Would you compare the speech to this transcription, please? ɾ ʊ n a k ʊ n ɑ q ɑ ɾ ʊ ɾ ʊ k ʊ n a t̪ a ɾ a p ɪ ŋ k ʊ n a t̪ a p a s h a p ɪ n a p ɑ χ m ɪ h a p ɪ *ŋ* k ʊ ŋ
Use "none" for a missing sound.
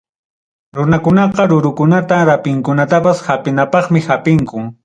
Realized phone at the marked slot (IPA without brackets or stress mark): ŋ